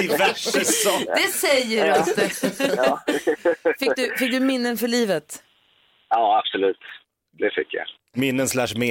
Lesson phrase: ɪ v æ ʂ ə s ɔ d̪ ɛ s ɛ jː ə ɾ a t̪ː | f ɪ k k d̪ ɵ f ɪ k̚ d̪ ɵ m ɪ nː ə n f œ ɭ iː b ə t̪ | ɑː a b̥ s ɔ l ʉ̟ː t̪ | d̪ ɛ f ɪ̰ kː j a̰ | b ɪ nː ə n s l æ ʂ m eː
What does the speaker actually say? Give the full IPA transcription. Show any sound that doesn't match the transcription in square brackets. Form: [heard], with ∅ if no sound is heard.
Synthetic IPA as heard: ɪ v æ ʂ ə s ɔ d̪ ɛ s ɛ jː ə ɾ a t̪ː | f ɪ k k d̪ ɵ f ɪ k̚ d̪ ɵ m ɪ nː ə n f œ ɭ iː [v] ə t̪ | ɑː a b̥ s ɔ l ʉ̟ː t̪ | d̪ ɛ f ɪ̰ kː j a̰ | [m] ɪ nː ə n s l æ ʂ m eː